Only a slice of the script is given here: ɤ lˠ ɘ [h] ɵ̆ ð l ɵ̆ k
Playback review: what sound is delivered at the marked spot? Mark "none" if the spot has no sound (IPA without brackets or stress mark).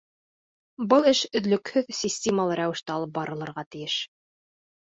ʃ